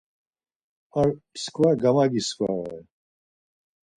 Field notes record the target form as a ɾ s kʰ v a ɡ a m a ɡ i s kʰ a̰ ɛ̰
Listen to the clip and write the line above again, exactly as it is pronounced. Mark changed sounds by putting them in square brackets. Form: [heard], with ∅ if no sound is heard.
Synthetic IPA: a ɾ s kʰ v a ɡ a m a ɡ i s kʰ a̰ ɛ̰